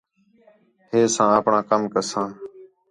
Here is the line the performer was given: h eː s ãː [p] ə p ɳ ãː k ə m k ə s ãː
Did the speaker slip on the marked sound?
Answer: yes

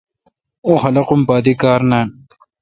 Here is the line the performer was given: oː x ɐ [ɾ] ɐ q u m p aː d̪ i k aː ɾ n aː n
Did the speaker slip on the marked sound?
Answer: yes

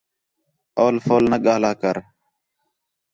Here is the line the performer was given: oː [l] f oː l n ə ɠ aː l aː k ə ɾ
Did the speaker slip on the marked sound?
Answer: no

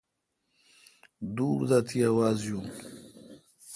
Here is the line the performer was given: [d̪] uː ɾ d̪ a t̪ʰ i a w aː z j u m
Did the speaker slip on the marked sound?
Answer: no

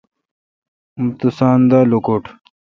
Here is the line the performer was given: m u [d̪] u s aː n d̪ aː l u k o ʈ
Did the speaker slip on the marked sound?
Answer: yes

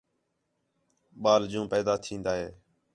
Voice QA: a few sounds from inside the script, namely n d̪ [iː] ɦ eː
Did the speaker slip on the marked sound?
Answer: yes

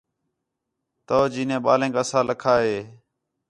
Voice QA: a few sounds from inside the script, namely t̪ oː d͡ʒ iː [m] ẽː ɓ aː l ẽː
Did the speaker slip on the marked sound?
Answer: yes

